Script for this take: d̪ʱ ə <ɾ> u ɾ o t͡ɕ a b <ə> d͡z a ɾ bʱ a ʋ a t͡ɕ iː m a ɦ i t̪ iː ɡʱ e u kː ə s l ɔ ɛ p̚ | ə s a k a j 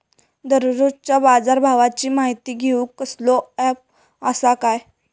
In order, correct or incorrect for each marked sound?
correct, incorrect: a

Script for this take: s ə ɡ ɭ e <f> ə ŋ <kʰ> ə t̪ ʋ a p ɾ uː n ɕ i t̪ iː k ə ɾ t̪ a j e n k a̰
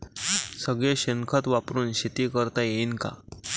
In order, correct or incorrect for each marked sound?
incorrect: ɕ, correct

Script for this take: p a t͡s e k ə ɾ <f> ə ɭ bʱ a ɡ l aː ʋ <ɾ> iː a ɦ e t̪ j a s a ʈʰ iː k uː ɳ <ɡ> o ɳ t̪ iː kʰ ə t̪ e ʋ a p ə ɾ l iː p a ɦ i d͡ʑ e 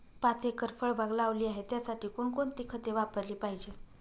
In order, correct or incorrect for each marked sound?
correct, incorrect: l, incorrect: k

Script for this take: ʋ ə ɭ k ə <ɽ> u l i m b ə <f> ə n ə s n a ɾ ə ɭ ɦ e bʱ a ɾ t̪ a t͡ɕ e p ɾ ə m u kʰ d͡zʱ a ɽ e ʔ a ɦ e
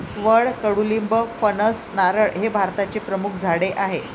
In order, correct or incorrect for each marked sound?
correct, correct

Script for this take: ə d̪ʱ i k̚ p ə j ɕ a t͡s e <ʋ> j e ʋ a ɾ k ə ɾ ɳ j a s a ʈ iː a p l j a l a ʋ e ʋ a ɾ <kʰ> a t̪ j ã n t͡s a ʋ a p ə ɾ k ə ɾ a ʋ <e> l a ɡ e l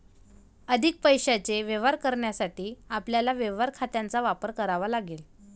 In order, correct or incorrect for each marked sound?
correct, correct, incorrect: a

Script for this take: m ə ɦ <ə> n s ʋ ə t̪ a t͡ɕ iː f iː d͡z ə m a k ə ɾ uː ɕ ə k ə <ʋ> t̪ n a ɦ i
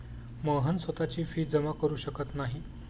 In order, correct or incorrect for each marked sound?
correct, incorrect: none

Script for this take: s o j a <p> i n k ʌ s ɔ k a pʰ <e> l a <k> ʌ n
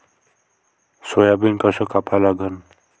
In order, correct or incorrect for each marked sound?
incorrect: b, incorrect: a, incorrect: ɡ

